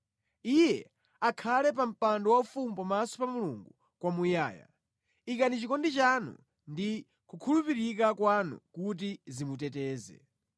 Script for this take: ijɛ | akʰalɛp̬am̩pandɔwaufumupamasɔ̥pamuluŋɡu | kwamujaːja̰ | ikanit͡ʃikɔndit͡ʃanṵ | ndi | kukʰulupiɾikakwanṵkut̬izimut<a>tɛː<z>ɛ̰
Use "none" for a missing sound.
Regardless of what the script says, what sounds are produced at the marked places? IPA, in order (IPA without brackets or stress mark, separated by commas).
ɛ, z